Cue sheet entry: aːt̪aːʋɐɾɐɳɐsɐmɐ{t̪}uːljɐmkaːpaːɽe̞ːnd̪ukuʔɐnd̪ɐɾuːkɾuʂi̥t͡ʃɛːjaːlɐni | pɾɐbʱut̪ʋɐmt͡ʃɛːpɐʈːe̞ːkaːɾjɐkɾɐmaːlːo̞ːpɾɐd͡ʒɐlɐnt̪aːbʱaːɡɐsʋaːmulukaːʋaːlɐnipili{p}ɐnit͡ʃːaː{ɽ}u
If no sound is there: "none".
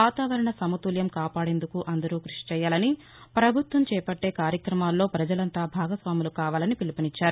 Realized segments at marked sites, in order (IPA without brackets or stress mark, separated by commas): t̪, p, ɾ